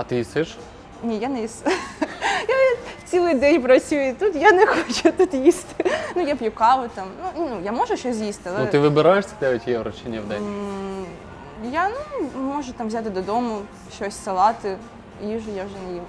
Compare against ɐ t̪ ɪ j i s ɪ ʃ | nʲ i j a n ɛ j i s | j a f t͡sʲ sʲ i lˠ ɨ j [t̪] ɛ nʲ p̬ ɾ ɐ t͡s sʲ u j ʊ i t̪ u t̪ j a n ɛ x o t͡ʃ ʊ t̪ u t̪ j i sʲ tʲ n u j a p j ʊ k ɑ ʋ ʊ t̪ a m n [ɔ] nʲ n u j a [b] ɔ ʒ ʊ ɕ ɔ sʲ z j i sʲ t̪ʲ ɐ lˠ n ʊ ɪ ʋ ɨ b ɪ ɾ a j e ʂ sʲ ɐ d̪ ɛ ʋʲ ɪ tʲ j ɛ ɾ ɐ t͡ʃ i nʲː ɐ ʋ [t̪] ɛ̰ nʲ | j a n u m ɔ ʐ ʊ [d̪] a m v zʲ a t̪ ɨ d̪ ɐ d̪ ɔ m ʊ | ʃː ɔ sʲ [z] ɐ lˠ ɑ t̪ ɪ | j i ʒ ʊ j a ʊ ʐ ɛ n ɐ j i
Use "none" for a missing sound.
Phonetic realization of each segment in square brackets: d̪, u, m, d̪, t̪, s

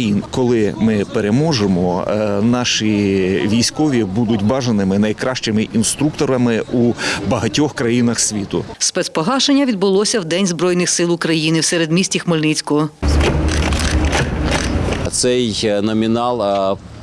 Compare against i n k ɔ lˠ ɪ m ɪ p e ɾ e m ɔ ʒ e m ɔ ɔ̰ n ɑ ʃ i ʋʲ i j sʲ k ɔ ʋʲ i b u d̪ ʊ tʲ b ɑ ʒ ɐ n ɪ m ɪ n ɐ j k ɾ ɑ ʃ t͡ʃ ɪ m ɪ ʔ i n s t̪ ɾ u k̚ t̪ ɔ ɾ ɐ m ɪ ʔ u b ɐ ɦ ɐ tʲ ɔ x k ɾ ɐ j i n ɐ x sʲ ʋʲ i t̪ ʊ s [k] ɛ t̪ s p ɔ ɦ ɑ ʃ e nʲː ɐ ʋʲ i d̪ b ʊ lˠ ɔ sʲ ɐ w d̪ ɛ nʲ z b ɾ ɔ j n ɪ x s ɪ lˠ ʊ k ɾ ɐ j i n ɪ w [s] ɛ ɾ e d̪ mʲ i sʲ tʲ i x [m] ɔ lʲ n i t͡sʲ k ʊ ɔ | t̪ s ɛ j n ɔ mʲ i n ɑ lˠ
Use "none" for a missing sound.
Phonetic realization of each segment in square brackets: p, s, m

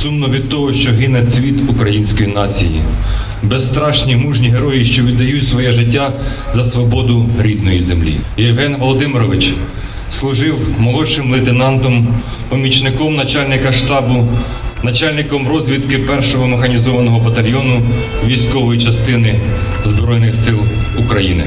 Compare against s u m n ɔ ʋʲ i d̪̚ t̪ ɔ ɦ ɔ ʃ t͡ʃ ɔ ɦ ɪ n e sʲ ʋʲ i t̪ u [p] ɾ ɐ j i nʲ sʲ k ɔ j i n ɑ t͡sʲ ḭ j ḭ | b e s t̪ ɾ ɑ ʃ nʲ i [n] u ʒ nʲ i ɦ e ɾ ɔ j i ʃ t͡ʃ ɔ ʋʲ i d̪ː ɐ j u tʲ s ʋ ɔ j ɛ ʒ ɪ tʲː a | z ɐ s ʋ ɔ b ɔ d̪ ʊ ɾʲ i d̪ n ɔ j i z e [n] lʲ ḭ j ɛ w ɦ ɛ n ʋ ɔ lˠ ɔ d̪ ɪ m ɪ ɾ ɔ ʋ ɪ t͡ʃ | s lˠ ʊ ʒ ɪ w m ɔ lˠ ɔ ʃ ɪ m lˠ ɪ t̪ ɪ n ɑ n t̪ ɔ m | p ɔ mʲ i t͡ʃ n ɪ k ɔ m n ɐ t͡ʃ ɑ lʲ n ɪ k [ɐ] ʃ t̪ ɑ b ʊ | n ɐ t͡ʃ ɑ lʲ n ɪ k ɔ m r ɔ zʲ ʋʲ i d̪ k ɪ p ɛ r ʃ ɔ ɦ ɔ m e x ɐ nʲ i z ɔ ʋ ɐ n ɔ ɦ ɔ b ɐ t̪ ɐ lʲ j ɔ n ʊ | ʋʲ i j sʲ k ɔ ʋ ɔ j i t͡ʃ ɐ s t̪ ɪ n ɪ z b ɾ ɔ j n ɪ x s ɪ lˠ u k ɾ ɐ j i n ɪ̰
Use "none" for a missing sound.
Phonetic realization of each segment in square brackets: k, m, m, ɐ

